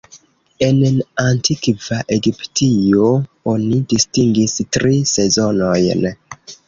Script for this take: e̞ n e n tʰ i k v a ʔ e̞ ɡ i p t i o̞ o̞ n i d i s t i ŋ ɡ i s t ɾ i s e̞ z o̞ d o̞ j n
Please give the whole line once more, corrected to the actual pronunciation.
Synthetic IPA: e̞ n a n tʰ i k v a ʔ e̞ ɡ i p t i o̞ o̞ n i d i s t i ŋ ɡ i s t ɾ i s e̞ z o̞ n o̞ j n